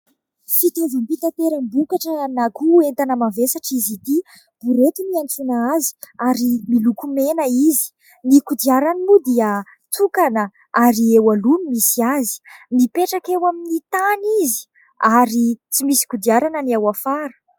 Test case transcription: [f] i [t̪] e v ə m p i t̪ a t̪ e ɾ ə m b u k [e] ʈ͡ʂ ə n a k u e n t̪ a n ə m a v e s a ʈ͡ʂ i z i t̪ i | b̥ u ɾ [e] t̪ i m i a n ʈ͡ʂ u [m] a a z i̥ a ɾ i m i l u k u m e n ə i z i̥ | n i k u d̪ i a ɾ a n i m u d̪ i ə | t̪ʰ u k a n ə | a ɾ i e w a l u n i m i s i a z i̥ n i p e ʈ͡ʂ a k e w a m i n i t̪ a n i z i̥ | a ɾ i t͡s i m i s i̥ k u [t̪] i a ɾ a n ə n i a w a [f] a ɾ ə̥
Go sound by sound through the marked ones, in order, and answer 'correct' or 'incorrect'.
correct, correct, incorrect: a, correct, incorrect: n, incorrect: d̪, correct

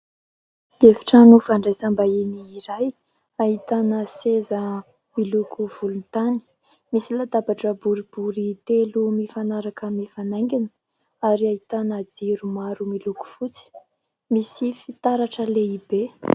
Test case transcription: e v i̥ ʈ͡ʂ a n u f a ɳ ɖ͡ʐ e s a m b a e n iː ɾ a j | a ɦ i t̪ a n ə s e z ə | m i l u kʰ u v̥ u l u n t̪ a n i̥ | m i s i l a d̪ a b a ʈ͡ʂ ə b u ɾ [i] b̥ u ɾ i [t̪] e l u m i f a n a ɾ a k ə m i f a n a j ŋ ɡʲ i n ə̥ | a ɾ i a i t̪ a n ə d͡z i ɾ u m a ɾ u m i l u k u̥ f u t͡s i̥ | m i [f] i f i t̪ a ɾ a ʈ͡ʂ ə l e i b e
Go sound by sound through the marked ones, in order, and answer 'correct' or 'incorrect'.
correct, correct, incorrect: s

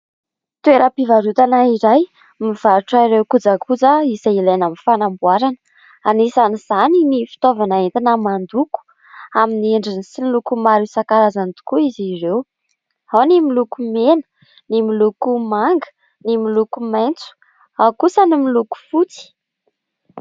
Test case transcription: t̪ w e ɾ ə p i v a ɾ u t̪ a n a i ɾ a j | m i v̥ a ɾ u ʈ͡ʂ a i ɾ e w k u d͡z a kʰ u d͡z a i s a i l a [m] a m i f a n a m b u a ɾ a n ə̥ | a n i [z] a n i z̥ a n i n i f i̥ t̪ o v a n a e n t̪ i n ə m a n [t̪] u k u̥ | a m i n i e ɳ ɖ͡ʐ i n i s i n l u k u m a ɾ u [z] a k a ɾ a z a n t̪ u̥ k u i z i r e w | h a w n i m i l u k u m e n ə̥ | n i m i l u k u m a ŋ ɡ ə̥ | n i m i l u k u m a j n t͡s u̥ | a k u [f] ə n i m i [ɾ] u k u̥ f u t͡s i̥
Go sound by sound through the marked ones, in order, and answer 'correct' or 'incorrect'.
incorrect: n, incorrect: s, incorrect: d̪, incorrect: s, incorrect: s, incorrect: l

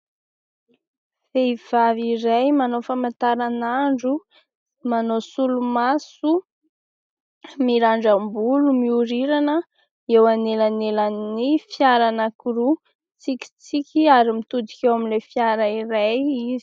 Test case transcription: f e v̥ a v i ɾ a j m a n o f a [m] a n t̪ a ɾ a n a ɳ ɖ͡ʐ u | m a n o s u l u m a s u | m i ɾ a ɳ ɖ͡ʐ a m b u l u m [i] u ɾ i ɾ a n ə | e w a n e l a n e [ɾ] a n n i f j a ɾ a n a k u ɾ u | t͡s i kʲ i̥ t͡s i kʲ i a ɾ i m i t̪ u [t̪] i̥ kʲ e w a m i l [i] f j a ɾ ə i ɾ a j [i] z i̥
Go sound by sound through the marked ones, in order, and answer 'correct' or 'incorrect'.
correct, correct, incorrect: l, incorrect: d̪, incorrect: e, correct

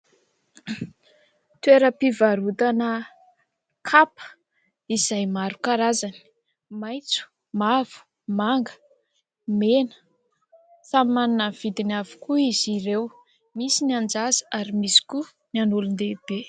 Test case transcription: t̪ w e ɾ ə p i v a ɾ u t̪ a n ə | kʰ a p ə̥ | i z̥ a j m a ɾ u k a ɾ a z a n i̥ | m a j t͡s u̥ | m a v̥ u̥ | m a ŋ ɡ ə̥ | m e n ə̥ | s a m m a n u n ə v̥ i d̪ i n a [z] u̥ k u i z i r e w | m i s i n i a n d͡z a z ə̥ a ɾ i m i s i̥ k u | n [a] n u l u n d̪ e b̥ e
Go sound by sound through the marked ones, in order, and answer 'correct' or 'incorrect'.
incorrect: v, correct

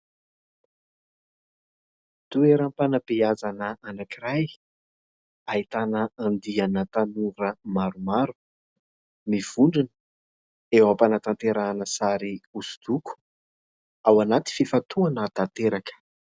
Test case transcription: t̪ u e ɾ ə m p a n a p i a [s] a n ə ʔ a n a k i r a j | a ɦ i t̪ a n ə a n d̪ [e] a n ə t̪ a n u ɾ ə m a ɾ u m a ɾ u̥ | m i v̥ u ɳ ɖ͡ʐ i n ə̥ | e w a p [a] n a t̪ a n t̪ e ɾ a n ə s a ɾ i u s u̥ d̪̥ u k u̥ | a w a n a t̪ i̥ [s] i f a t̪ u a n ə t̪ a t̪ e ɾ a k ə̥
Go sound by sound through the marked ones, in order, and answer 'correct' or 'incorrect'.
incorrect: z, incorrect: i, correct, incorrect: f

